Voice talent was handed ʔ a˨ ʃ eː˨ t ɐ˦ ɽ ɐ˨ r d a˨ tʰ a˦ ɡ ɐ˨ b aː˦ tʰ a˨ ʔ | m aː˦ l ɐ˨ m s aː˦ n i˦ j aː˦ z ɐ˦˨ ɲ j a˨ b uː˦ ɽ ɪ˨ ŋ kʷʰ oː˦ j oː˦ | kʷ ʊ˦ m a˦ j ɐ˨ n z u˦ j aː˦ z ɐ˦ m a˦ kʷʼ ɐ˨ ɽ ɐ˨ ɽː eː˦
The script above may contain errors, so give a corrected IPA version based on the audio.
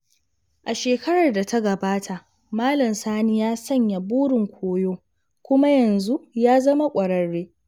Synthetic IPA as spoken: ʔ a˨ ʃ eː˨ k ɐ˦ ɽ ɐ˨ r d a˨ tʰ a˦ ɡ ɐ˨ b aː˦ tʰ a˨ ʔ | m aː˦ l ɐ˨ m s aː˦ n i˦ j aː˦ s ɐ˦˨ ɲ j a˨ b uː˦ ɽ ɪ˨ ŋ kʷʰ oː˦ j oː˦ | kʷ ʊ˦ m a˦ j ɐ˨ n z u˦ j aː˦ z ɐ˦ m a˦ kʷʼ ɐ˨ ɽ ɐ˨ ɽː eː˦